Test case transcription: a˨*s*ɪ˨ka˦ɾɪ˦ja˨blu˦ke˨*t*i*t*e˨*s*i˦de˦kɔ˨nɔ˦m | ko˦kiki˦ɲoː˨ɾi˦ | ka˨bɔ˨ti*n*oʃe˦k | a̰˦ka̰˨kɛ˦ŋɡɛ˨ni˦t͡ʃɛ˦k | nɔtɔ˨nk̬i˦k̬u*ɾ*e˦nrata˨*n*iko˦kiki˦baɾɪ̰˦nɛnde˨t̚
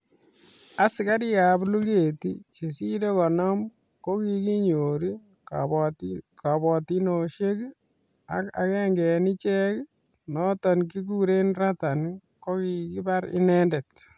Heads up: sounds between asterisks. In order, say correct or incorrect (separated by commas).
correct, correct, incorrect, correct, correct, correct, correct